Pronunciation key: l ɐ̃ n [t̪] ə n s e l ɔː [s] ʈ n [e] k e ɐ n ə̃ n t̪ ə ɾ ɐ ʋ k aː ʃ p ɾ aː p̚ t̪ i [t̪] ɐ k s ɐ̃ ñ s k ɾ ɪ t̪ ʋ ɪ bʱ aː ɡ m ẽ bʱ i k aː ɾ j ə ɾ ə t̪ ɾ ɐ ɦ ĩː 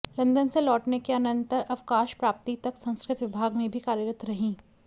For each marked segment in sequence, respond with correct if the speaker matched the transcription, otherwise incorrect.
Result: incorrect, incorrect, correct, correct

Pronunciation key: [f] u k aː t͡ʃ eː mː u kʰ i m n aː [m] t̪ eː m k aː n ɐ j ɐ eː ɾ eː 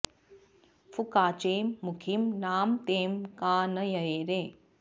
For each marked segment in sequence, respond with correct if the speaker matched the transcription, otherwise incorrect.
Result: correct, correct

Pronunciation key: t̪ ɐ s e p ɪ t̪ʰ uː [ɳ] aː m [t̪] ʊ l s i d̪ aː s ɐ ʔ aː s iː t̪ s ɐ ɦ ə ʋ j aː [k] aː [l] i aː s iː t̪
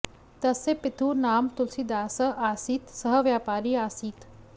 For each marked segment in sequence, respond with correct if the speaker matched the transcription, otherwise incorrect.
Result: incorrect, correct, incorrect, incorrect

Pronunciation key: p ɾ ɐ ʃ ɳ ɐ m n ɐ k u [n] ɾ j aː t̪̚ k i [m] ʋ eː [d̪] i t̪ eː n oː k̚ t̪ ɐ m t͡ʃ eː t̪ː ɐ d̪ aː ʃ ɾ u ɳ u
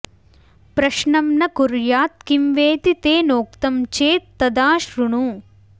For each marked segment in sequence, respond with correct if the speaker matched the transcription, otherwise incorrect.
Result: incorrect, correct, incorrect

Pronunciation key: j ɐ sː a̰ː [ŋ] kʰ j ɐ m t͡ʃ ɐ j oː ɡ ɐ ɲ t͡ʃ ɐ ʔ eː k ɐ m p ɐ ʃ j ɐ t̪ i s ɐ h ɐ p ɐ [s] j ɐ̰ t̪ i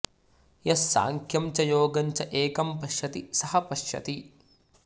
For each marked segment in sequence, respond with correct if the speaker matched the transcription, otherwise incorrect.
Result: correct, incorrect

